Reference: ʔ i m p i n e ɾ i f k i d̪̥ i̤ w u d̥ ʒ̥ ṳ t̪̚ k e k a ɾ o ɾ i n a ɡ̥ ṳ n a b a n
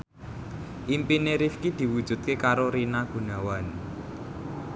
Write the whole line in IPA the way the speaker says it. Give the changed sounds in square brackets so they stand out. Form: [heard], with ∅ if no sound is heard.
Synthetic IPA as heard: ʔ i m p i n e ɾ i f k i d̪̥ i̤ w u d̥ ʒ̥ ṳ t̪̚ k e k a ɾ o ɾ i n a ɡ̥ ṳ n a [w] a n